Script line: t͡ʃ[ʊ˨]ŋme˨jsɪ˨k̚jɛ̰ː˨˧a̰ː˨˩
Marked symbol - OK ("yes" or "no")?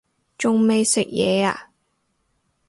yes